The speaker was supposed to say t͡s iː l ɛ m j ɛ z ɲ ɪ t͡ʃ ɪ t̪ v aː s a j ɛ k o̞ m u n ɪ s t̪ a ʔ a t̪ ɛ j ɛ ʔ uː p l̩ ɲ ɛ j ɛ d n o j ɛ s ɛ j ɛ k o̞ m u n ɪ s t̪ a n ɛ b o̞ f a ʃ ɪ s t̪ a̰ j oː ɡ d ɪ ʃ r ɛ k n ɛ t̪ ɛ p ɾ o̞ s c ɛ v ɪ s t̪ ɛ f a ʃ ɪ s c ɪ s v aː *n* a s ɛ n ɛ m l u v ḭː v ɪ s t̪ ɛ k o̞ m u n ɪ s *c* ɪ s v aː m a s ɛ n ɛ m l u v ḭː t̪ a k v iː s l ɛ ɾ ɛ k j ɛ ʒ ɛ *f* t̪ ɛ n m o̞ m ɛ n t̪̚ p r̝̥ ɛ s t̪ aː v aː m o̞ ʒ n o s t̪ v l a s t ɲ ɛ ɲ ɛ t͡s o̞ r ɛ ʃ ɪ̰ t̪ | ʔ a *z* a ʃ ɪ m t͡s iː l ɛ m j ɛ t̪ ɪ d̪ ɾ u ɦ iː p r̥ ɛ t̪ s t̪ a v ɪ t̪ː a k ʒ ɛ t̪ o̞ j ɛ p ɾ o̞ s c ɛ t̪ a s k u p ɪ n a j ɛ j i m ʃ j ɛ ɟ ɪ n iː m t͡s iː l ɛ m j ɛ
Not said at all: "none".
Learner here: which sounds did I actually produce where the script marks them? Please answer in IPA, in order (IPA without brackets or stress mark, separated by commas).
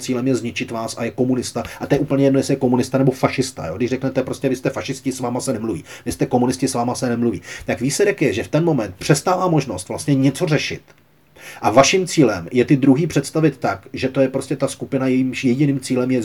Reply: m, c, f, v